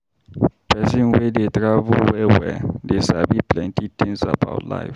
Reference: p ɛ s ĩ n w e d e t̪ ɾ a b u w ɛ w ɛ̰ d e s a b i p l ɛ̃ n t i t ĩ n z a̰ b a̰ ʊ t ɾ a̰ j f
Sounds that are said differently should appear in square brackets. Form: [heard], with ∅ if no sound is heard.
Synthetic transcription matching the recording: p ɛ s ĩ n w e d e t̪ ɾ a [v] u w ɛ w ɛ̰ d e s a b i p l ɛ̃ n t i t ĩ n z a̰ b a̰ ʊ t [l] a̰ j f